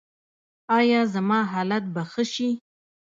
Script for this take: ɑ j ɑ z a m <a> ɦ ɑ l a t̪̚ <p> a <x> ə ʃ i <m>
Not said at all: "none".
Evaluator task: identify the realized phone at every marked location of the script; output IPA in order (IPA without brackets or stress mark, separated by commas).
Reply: ɑ, b, x, none